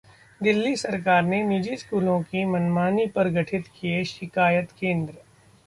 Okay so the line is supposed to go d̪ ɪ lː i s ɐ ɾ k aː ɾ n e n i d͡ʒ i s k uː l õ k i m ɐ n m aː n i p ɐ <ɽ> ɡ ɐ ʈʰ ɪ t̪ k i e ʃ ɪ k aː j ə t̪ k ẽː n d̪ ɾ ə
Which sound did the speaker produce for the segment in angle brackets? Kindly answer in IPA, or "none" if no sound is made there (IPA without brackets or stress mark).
ɾ